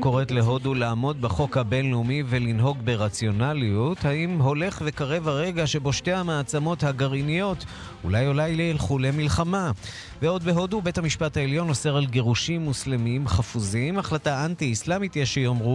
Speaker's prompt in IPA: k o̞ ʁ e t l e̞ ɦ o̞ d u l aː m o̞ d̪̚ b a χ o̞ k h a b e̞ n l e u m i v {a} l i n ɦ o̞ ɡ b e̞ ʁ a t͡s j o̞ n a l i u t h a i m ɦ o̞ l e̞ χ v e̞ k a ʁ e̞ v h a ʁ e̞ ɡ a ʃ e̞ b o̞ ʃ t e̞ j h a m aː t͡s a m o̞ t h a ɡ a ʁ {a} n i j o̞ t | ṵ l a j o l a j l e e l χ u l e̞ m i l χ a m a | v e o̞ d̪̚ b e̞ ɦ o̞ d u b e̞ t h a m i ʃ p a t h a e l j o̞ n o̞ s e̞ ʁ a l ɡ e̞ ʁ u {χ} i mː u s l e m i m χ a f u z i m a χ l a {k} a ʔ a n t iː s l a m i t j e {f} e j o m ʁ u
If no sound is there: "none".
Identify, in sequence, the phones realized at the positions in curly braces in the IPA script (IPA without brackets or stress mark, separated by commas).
e, i, ʃ, t, ʃ